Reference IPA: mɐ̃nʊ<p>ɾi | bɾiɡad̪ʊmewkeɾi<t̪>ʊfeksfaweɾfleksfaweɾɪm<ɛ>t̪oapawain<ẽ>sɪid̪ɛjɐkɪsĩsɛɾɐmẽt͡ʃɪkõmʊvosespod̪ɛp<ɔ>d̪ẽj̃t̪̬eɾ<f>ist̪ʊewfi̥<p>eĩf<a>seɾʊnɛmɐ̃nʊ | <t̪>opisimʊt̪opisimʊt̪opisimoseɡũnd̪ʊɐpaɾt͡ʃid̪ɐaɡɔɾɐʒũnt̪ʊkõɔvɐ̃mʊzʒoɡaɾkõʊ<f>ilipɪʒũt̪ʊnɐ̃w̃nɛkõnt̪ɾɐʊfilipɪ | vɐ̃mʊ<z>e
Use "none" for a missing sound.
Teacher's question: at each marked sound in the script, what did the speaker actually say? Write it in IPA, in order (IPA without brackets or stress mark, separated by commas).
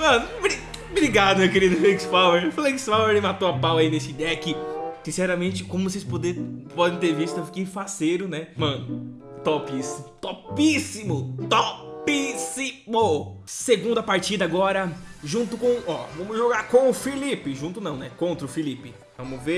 b, d̪, a, e, ɔ, v, k, a, t̪, f, v